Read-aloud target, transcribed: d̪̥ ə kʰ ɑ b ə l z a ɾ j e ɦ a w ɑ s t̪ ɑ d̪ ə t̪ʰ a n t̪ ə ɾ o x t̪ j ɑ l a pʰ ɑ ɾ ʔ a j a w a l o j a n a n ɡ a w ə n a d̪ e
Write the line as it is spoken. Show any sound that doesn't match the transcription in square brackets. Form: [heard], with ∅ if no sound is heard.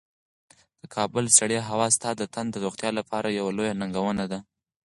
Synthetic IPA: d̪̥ ə kʰ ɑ b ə l [s] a [ɽ] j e ɦ a w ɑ s t̪ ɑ d̪ ə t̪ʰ a n [d̪] ə ɾ o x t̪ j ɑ l a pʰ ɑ ɾ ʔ a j a w a l o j a n a [ŋ] ɡ a w ə n a d̪ [a]